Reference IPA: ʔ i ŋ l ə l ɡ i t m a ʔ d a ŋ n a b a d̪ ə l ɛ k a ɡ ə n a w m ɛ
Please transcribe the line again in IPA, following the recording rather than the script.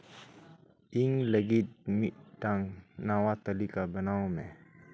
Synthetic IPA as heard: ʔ i ŋ l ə ɡ i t m i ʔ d a ŋ n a w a t̪ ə l i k a b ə n a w m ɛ